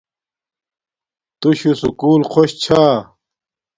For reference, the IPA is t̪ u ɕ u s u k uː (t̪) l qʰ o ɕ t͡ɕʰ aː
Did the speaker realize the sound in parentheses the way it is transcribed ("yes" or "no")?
no